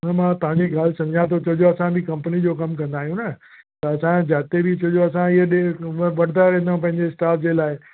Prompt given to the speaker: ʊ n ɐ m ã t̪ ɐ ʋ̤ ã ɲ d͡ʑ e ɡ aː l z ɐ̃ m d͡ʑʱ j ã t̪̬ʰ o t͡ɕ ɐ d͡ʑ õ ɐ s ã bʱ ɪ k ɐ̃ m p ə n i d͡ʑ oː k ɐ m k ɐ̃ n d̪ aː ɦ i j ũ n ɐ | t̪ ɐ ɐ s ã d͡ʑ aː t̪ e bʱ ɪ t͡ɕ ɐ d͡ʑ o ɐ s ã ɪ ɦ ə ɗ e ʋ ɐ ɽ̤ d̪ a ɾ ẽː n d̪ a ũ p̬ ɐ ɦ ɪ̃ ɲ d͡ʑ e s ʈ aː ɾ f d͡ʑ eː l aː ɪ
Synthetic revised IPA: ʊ n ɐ m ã t̪ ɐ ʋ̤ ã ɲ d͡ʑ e ɡ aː l s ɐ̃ m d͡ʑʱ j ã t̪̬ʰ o t͡ɕ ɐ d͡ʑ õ ɐ s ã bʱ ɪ k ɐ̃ m p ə n i d͡ʑ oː k ɐ m k ɐ̃ n d̪ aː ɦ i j ũ n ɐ | t̪ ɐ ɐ s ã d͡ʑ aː t̪ e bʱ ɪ t͡ɕ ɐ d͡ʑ o ɐ s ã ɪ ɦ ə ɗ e ʋ ɐ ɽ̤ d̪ a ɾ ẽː n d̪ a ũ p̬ ɐ̃ ɦ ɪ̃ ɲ d͡ʑ e s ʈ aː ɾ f d͡ʑ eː l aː ɪ